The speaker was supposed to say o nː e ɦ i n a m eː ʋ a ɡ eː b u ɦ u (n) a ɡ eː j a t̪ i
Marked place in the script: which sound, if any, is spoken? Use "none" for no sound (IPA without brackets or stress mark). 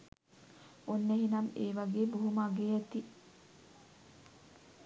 m